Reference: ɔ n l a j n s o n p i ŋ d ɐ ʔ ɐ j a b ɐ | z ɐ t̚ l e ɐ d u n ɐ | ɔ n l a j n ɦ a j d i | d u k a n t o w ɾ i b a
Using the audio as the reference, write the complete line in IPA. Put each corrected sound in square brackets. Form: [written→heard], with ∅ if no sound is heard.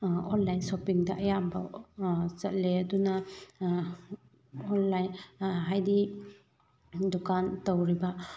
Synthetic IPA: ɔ n l a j n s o [n→∅] p i ŋ d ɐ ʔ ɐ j a b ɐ | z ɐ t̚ l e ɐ d u n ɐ | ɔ n l a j n ɦ a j d i | d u k a n t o w ɾ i b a